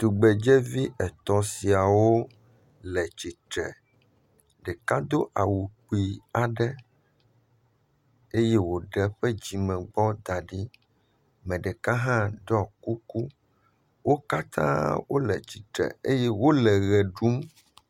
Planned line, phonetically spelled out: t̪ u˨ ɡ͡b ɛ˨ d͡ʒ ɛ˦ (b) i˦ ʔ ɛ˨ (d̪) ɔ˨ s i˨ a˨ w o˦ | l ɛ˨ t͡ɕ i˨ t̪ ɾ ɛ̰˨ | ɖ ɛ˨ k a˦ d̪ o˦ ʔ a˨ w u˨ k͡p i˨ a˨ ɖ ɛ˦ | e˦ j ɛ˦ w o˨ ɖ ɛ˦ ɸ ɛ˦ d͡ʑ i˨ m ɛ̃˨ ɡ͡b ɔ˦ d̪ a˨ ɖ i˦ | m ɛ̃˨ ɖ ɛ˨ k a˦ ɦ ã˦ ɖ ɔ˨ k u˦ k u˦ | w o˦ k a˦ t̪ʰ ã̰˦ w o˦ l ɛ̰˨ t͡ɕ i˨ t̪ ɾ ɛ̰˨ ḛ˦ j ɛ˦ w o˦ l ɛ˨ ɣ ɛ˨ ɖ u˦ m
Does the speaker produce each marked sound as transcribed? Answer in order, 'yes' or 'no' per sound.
no, no

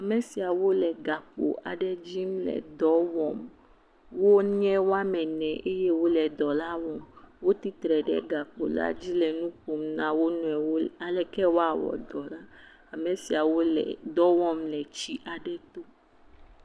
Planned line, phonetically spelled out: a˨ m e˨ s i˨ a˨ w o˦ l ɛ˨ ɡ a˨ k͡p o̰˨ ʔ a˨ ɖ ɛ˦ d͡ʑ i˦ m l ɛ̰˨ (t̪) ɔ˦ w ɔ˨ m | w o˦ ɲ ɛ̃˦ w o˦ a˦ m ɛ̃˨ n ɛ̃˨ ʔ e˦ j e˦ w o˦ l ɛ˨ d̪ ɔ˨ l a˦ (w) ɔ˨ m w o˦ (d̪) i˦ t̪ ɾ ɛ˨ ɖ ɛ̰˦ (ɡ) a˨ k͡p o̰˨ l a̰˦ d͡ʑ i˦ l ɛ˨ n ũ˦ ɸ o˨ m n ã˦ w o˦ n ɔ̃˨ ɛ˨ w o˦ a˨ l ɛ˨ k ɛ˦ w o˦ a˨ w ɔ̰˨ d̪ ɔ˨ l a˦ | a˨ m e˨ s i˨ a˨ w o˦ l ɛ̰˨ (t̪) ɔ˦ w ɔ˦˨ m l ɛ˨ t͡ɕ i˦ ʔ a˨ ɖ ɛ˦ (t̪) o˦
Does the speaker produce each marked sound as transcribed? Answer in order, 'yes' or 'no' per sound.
no, yes, no, yes, no, yes

